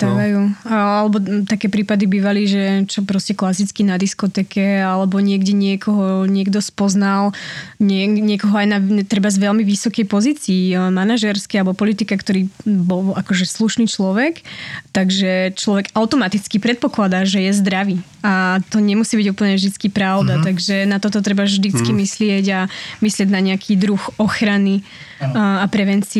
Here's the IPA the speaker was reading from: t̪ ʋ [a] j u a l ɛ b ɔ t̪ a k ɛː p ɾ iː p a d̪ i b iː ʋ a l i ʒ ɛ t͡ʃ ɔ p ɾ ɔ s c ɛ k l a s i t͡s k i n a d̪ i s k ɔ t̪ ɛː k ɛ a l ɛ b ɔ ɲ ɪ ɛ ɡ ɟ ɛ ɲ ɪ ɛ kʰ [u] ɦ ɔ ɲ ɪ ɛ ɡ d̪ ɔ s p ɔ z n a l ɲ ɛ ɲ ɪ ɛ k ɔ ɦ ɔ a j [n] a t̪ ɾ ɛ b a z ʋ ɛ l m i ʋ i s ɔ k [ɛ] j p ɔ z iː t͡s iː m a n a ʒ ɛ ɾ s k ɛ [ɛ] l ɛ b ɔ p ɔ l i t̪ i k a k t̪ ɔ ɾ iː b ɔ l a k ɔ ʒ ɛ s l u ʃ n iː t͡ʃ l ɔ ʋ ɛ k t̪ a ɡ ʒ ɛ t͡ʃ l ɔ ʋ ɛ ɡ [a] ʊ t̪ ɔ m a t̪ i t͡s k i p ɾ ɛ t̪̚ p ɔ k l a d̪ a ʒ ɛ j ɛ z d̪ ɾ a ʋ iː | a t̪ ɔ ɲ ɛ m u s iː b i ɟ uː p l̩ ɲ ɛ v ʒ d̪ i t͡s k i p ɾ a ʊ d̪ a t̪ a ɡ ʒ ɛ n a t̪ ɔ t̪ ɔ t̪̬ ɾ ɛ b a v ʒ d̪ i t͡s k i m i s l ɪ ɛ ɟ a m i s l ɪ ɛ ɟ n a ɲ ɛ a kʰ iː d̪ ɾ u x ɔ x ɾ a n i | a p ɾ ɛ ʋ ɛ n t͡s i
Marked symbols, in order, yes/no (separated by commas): yes, no, yes, yes, no, yes